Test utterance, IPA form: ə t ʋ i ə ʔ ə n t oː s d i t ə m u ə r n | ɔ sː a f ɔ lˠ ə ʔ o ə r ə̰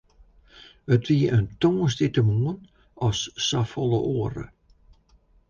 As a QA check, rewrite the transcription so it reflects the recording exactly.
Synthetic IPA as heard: ə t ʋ i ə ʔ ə n t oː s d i t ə m u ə n | ɔ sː a f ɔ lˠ ə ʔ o ə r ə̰